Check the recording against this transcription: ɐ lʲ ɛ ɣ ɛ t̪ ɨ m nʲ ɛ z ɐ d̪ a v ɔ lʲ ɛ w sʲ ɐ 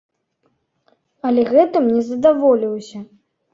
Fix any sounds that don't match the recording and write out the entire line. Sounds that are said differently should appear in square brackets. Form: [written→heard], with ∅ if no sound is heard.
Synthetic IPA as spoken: ɐ lʲ ɛ ɣ ɛ t̪ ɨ m nʲ ɛ z ɐ d̪ a v ɔ lʲ [ɛ→i] w sʲ ɐ